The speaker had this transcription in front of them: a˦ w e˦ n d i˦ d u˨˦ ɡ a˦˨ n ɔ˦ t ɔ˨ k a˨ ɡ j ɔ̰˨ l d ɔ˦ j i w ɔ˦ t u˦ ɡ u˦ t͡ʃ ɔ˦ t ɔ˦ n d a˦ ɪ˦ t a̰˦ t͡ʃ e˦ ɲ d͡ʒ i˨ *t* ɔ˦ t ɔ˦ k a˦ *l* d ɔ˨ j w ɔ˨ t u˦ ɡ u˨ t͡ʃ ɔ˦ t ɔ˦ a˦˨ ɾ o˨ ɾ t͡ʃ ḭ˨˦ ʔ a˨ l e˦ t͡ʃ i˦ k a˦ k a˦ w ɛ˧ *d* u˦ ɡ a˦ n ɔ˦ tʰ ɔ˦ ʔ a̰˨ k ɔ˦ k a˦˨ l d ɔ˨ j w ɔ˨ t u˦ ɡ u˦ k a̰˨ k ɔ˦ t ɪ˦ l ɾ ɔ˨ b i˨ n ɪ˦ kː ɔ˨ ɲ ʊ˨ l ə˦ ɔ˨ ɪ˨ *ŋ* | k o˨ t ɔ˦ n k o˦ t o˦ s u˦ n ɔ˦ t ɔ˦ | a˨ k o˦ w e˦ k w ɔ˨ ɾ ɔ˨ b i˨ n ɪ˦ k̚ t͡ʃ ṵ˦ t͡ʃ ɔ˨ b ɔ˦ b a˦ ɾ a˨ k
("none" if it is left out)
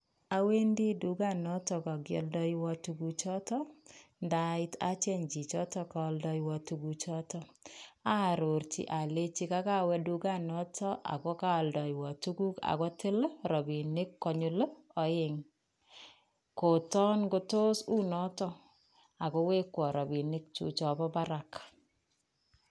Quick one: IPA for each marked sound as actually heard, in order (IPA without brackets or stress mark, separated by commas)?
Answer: t͡ʃ, l, d, ŋ